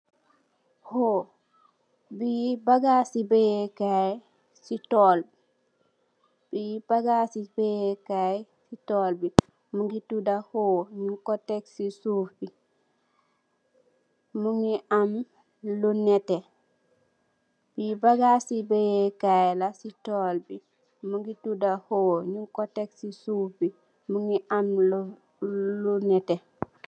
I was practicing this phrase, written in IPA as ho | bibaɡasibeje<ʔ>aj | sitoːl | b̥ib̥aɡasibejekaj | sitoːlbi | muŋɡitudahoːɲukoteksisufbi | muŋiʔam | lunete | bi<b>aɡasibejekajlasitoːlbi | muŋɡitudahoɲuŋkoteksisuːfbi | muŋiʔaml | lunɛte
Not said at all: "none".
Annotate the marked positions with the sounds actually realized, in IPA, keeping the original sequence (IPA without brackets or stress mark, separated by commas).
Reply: k, b